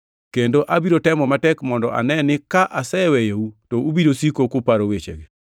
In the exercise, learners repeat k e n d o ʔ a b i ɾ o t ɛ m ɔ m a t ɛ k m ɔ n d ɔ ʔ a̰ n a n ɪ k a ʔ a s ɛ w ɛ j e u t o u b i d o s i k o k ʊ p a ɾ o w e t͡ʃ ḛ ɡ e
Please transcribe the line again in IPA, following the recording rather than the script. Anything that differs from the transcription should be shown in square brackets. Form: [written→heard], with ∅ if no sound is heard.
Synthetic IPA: k e n d o ʔ a b i ɾ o t ɛ m ɔ m a t ɛ k m ɔ n d ɔ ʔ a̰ n [a→ɛ] n ɪ k a ʔ a s ɛ w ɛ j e u t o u b i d o s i k o k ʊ p a ɾ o w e t͡ʃ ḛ ɡ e